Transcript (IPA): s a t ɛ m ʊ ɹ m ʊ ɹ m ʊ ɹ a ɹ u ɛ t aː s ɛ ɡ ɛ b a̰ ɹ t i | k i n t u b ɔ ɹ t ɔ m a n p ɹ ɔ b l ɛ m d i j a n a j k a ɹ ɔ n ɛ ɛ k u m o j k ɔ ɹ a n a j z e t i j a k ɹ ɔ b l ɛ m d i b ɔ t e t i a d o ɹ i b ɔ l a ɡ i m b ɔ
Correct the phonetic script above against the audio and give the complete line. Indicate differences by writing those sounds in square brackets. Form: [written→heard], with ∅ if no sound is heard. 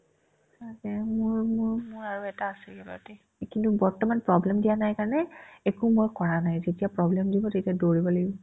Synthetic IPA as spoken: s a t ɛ m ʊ ɹ m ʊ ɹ m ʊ ɹ a ɹ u ɛ t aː s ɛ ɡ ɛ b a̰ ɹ t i | k i n t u b ɔ ɹ t ɔ m a n p ɹ ɔ b l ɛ m d i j a n a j k a ɹ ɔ n ɛ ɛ k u m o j k ɔ ɹ a n a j z e t i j a [k→p] ɹ ɔ b l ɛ m d i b ɔ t e t i a d o ɹ i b ɔ l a ɡ i [m→∅] b ɔ